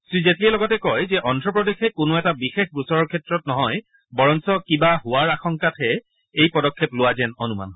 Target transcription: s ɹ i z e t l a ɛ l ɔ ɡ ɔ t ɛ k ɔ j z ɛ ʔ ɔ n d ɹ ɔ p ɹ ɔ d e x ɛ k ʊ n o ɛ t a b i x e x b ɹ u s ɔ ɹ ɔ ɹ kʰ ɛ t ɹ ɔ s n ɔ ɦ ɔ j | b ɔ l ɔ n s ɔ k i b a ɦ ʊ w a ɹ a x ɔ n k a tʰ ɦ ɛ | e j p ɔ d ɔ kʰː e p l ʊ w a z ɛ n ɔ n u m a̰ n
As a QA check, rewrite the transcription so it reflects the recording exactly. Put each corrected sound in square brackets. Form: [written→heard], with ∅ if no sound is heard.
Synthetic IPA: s ɹ i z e t l [a→i] ɛ l ɔ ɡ ɔ t ɛ k ɔ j z ɛ ʔ ɔ n d ɹ ɔ p ɹ ɔ d e x ɛ k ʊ n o ɛ t a b i x e x b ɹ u s ɔ ɹ ɔ ɹ kʰ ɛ t ɹ ɔ [s→t] n ɔ ɦ ɔ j | b ɔ [l→ɹ] ɔ n s ɔ k i b a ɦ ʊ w a ɹ a x ɔ [n→ŋ] k a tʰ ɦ ɛ | e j p ɔ d ɔ kʰː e p l ʊ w a z ɛ n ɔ n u m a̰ n